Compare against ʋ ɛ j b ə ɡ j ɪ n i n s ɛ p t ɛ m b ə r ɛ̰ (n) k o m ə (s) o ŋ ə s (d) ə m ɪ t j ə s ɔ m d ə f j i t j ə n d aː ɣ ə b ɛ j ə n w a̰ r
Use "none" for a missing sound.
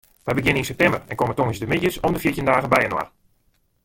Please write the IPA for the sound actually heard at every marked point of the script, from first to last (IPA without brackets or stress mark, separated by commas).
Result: n, t, d